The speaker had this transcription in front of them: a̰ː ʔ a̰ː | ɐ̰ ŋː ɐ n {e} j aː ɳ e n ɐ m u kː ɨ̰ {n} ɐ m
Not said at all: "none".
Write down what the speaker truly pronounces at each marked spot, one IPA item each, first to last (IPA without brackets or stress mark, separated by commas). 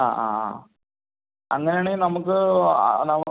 e, n